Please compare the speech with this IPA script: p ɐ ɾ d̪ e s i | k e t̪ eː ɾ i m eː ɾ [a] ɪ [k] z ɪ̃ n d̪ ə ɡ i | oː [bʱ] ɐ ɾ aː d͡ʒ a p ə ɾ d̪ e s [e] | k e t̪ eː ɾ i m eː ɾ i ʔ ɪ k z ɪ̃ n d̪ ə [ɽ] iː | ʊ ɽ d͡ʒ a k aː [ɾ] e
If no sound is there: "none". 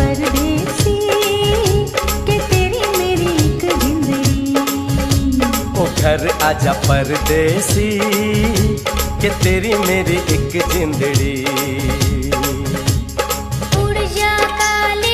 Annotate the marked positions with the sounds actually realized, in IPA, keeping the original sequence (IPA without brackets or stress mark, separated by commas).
i, k, ɡʱ, i, ɽ, l